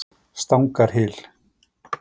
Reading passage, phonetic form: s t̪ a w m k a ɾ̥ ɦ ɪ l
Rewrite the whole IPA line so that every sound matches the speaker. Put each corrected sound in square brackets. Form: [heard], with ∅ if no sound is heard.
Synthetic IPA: s t̪ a w [ŋ] k a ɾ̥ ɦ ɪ l